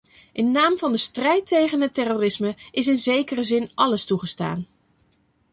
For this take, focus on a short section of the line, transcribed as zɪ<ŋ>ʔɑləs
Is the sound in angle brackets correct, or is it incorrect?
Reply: incorrect